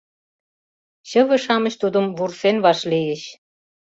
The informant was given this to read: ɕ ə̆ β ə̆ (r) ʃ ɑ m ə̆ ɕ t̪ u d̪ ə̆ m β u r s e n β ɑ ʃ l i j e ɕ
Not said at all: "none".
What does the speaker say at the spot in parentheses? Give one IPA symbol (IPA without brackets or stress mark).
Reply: none